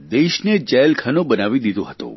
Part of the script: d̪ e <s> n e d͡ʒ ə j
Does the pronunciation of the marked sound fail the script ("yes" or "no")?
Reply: yes